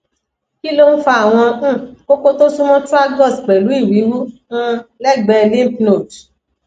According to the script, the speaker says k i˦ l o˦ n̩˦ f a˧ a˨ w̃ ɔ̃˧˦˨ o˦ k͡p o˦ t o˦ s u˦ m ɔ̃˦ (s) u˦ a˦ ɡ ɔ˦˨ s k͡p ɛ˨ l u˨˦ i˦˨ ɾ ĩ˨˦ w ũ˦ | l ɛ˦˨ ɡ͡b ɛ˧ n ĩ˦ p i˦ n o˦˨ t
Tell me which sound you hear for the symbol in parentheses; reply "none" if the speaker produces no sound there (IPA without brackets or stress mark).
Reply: t